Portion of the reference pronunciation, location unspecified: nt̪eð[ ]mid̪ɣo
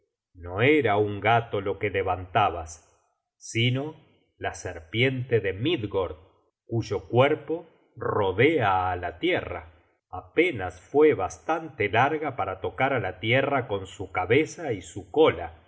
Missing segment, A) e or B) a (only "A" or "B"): A